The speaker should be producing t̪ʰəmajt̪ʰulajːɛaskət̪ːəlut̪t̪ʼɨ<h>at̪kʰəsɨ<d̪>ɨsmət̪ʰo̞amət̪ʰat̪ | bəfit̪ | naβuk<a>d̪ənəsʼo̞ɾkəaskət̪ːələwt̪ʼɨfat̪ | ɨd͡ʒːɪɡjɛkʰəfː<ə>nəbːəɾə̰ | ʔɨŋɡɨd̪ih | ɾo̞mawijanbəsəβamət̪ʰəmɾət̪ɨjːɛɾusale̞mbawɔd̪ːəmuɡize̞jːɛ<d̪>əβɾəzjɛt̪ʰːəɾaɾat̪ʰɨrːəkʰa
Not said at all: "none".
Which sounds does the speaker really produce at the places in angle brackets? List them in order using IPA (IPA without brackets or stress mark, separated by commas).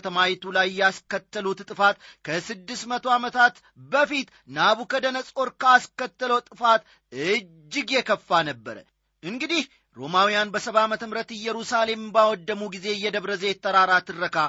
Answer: f, d̪ː, ə, a, d̪